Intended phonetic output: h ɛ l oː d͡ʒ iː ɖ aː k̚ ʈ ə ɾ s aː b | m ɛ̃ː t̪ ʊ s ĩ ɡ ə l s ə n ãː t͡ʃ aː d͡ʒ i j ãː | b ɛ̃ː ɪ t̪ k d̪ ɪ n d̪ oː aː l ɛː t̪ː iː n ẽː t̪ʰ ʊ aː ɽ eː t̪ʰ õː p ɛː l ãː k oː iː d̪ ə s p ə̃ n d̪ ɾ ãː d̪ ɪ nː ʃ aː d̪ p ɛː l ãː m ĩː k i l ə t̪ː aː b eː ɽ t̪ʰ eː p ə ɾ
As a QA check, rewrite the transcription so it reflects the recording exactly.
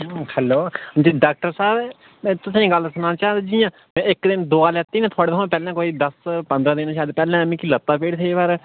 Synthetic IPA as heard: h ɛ l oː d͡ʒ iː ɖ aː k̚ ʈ ə ɾ s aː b | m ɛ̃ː t̪ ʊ s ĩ ɡ ə l s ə n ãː t͡ʃ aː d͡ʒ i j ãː | m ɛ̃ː ɪ k d̪ ɪ n d̪ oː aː l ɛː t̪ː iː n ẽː t̪ʰ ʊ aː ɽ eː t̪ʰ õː p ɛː l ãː k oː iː d̪ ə s p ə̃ n d̪ ɾ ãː d̪ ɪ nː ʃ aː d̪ p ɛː l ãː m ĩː k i l ə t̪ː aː p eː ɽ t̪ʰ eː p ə ɾ